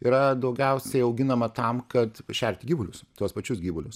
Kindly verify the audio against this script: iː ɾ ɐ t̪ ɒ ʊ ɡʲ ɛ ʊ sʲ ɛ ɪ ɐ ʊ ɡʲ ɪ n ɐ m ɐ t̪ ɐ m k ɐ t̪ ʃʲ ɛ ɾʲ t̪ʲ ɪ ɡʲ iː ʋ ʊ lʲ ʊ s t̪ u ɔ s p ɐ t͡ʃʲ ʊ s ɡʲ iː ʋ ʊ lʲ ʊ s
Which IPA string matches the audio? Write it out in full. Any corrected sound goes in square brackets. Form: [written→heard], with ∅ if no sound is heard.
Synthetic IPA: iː ɾ ɐ [t̪→d̪] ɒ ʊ ɡʲ ɛ ʊ sʲ ɛ ɪ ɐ ʊ ɡʲ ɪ n ɐ m ɐ t̪ ɐ m k ɐ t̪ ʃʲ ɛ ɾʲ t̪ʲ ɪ ɡʲ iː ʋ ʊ lʲ ʊ s t̪ u ɔ s p ɐ t͡ʃʲ ʊ s ɡʲ iː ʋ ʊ lʲ ʊ s